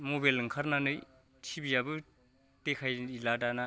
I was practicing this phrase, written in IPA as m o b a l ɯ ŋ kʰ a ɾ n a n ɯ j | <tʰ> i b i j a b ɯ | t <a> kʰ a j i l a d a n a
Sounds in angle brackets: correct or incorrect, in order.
correct, incorrect: e

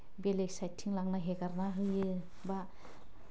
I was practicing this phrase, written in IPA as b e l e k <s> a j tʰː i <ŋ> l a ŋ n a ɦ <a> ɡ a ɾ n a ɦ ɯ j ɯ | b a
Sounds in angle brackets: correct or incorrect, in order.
correct, correct, incorrect: e

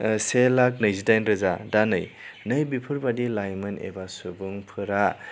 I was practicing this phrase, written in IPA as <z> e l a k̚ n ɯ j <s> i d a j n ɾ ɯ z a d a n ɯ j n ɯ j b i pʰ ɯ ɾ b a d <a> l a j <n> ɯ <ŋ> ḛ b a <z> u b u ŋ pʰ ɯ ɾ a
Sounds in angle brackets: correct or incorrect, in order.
incorrect: s, incorrect: z, incorrect: i, incorrect: m, incorrect: n, incorrect: s

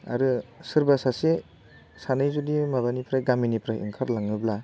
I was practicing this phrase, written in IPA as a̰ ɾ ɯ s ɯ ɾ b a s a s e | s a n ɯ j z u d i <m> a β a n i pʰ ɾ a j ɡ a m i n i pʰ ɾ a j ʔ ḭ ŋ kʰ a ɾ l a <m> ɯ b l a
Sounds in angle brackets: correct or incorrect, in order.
correct, incorrect: ŋ

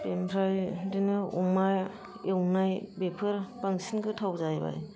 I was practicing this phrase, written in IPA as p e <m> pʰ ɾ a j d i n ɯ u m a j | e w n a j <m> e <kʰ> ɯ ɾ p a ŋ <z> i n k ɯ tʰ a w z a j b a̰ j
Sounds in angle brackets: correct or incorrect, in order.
correct, incorrect: b, incorrect: pʰ, incorrect: s

